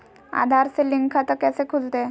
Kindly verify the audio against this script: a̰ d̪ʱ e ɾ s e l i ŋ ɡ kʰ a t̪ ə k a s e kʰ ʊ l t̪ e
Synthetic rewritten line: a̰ d̪ʱ a ɾ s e l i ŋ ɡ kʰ a t̪ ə k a s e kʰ u l t̪ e